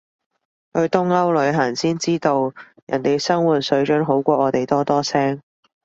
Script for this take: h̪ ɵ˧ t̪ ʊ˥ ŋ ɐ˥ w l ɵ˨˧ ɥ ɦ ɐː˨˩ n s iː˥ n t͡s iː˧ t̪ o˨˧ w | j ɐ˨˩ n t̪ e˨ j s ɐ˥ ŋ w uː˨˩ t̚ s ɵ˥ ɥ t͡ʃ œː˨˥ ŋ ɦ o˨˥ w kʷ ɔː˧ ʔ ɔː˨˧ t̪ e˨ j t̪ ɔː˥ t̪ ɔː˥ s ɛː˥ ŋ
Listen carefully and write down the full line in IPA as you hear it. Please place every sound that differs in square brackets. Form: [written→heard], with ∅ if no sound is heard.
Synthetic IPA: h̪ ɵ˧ t̪ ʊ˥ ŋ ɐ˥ w l ɵ˨˧ ɥ ɦ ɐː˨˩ n s iː˥ n t͡s [iː˧→iː˥] t̪ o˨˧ w | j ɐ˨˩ n t̪ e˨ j s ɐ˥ ŋ w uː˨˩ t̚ s [ɵ˥→ɵ˨˧] ɥ t͡ʃ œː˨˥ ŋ ɦ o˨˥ w kʷ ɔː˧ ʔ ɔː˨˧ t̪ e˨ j t̪ ɔː˥ t̪ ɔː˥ s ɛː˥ ŋ